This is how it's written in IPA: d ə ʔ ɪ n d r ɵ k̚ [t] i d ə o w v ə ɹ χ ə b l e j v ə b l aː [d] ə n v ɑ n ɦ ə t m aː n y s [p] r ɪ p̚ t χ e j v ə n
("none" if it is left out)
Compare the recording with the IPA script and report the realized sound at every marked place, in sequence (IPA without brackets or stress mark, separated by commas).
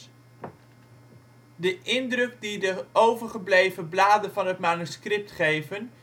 d, d, k